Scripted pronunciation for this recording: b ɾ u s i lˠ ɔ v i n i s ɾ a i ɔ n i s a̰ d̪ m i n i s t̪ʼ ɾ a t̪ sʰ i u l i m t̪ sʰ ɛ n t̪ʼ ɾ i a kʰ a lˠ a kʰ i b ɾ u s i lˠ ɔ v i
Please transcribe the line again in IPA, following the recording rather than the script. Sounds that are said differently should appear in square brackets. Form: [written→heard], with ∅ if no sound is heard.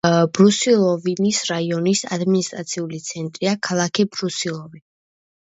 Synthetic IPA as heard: b ɾ u s i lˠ ɔ v i n i s ɾ a i ɔ n i s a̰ d̪ m i n i s t̪ʼ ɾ a t̪ sʰ i u l i [m→∅] t̪ sʰ ɛ n t̪ʼ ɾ i a kʰ a lˠ a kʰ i b ɾ u s i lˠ ɔ v i